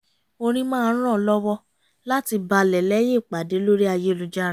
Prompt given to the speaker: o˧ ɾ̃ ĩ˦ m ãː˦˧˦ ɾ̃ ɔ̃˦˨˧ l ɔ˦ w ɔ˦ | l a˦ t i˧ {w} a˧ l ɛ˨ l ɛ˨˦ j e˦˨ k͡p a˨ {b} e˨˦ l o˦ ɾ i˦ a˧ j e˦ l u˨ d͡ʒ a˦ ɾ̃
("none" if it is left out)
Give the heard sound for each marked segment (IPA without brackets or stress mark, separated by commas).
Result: b, d